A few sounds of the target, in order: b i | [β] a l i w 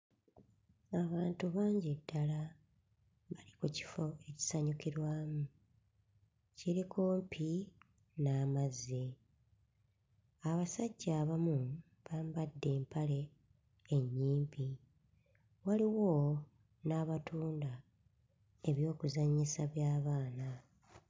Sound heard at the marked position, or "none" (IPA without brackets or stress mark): w